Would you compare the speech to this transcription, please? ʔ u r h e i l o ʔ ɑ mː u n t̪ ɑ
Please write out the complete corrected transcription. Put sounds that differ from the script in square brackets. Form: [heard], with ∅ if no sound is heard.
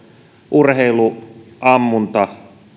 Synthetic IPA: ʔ u r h e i l [u] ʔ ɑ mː u n t̪ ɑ